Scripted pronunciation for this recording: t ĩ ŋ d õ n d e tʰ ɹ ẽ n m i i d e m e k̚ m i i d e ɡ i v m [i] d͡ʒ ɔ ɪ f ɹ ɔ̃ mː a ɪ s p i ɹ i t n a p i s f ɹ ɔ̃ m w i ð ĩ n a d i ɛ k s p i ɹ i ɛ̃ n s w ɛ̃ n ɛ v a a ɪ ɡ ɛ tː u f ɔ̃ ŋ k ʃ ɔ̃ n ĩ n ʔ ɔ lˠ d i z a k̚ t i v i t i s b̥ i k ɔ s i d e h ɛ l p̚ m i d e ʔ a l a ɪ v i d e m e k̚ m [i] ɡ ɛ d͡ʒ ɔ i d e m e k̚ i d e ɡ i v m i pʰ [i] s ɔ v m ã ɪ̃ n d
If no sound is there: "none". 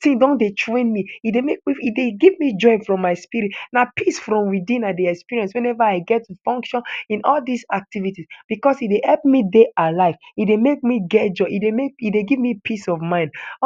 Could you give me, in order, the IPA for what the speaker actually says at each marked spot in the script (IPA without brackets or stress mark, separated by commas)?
i, i, i